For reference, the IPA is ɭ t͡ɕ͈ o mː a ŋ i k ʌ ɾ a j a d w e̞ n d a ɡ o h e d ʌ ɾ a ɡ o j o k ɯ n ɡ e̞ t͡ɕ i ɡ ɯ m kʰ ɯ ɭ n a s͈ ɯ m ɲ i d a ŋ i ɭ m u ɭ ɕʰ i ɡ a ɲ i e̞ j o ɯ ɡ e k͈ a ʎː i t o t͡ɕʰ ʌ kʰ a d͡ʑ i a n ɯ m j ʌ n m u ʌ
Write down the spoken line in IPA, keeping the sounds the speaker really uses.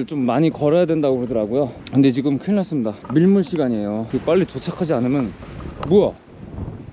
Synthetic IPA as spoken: ɭ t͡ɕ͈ o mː a ɲ i k ʌ ɾ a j a d w e̞ n d a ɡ o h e d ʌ ɾ a ɡ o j o k ɯ n d e̞ t͡ɕ i ɡ ɯ m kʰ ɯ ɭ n a s͈ ɯ m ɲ i d a m i ɭ m u ɭ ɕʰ i ɡ a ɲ i e̞ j o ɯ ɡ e p͈ a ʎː i t o t͡ɕʰ a kʰ a d͡ʑ i a n ɯ m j ʌ n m u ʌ